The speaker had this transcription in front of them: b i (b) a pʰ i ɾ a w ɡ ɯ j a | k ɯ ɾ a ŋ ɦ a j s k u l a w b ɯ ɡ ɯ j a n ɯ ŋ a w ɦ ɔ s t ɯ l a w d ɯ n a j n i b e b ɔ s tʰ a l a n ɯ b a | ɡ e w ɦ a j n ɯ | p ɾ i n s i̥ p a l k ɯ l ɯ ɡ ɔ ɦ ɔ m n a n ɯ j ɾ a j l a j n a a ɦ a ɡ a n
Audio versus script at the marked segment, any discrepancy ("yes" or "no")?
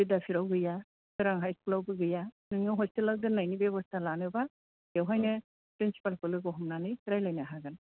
yes